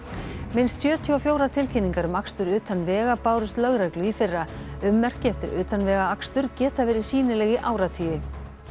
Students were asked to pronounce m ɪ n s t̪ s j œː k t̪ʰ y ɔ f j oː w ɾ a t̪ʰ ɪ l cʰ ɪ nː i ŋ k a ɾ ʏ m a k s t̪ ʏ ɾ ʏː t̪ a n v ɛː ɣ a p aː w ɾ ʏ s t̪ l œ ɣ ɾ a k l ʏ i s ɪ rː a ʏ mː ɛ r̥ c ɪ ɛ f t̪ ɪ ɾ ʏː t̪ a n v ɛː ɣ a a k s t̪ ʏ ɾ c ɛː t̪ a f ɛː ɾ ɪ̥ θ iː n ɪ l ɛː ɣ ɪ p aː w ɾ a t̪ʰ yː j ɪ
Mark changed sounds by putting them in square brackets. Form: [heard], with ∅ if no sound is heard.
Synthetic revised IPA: m ɪ n s t̪ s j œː [∅] t̪ʰ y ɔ f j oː w ɾ a t̪ʰ ɪ l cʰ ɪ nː i ŋ k a ɾ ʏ m a k s t̪ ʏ ɾ ʏː t̪ a n v ɛː ɣ a p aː w ɾ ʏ s t̪ l œ ɣ ɾ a k l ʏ i [f] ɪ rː a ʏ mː ɛ r̥ c ɪ ɛ f t̪ ɪ ɾ ʏː t̪ a n v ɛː ɣ a a k s t̪ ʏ ɾ c ɛː t̪ a [v] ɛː ɾ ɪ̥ [s] iː n ɪ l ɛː ɣ ɪ [ʔ] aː w ɾ a t̪ʰ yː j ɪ